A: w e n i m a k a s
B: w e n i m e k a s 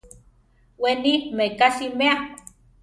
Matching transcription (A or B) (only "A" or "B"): B